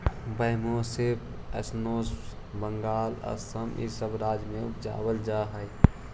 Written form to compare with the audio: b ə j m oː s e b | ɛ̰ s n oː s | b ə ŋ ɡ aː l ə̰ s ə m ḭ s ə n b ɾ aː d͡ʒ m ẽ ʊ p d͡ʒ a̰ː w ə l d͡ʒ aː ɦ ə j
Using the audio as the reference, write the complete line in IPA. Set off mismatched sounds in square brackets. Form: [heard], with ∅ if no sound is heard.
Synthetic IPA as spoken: b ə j m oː s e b | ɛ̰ s n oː s | b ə ŋ ɡ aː l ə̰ s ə m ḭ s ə [∅] b ɾ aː d͡ʒ m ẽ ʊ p d͡ʒ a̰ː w ə l d͡ʒ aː ɦ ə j